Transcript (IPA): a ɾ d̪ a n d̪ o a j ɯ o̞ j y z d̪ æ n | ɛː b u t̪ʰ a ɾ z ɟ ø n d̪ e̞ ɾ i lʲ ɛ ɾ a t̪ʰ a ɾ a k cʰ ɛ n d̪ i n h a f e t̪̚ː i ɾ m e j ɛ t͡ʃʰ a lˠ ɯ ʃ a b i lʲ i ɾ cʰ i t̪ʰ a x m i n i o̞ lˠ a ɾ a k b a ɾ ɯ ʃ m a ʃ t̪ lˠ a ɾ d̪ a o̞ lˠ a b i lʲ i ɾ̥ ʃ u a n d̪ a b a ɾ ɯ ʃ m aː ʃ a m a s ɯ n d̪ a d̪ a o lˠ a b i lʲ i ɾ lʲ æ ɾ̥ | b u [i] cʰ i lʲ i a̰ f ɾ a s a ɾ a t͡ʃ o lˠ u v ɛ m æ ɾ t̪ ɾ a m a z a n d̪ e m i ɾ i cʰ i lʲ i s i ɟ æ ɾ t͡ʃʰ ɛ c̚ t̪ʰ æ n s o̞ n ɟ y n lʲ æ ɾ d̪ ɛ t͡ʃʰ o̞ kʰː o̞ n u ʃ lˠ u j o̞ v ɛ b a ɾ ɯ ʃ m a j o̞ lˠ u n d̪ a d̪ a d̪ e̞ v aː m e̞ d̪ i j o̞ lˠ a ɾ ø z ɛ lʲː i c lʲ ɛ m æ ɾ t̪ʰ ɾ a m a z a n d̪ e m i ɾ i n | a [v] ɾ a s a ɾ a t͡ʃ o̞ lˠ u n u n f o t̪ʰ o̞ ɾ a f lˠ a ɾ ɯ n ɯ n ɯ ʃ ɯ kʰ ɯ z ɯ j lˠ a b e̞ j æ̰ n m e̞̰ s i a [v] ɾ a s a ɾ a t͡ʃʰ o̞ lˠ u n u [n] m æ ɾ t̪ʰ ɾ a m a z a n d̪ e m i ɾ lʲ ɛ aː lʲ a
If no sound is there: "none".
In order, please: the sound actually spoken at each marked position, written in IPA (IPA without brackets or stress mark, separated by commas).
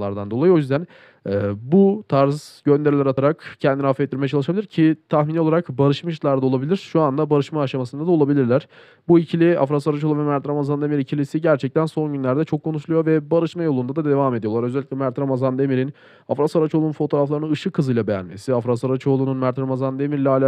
i, f, f, n